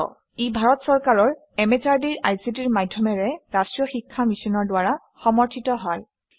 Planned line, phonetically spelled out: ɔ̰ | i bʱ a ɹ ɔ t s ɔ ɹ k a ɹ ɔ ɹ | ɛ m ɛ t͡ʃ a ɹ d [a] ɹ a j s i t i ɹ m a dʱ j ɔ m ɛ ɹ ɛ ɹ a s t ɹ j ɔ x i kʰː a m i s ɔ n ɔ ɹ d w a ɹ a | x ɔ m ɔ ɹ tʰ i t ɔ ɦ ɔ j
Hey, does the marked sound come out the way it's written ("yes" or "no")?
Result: no